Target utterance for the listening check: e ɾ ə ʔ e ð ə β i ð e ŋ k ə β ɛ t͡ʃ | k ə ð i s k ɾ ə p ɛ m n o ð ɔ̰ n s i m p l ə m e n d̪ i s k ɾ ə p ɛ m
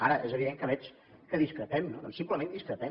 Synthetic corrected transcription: a ɾ ə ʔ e z ə β i ð e ŋ k ə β ɛ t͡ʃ | k ə ð i s k ɾ ə p ɛ m n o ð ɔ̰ n s i m p l ə m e n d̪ i s k ɾ ə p ɛ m